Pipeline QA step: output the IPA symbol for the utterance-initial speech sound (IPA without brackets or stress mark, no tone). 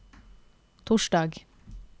t̪ʰ